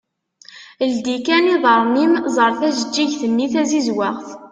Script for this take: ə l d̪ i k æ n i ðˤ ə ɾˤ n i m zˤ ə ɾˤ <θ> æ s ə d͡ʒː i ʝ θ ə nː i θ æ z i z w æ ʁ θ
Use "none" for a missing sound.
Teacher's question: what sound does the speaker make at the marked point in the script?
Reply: θ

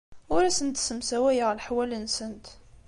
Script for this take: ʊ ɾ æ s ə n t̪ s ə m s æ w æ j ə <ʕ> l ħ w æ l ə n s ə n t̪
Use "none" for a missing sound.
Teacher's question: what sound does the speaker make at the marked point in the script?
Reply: ʁ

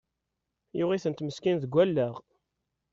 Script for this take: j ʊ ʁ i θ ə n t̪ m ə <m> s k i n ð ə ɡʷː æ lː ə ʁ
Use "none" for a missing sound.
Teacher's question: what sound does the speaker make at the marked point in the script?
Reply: none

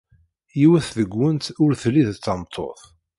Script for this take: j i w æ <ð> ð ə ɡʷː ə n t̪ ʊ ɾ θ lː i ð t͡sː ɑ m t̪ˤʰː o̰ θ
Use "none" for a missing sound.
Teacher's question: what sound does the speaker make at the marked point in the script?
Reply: θ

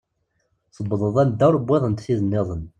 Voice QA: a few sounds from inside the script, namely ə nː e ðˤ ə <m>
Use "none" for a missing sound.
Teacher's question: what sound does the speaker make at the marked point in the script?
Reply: n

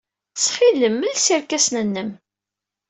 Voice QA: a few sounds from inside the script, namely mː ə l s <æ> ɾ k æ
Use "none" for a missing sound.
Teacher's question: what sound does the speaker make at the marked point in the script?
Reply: i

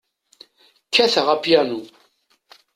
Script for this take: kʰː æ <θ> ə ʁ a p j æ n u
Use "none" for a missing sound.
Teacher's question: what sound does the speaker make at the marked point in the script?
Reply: θ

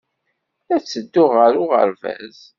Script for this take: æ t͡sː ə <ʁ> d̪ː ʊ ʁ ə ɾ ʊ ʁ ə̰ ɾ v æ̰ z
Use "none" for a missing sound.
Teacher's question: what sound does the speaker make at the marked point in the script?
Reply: none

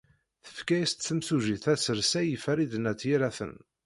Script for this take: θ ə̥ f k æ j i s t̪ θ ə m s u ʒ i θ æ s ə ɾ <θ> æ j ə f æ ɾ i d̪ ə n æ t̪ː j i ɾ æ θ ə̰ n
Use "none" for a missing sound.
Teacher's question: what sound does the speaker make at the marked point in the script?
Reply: s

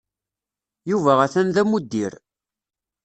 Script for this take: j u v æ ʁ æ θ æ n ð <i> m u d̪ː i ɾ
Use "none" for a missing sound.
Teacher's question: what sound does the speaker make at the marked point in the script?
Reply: æ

